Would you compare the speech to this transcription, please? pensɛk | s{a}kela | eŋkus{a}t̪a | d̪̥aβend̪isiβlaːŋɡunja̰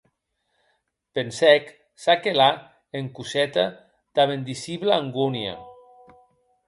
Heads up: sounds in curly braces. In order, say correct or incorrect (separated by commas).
correct, incorrect